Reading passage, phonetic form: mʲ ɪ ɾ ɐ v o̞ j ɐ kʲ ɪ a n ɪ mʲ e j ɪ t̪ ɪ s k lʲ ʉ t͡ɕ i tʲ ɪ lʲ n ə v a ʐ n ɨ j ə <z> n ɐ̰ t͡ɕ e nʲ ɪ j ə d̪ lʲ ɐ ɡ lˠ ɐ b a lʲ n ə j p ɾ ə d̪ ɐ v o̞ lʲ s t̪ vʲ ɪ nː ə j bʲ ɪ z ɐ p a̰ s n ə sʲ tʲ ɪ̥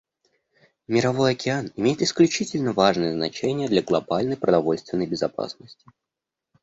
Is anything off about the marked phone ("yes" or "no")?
no